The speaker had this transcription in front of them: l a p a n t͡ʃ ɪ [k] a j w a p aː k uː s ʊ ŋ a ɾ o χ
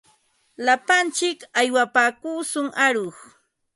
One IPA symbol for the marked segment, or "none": k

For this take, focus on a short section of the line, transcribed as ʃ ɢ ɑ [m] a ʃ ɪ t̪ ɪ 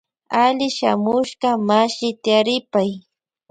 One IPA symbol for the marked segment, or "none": m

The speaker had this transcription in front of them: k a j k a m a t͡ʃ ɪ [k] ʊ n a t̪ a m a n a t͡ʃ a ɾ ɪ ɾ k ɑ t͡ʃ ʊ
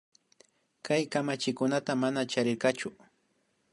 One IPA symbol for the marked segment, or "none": k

